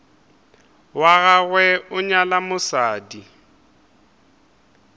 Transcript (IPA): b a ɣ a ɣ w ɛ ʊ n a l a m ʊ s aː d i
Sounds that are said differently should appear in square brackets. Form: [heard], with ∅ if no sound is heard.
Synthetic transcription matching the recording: [w] a ɣ a ɣ w ɛ ʊ [ɲ] a l a m ʊ s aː d i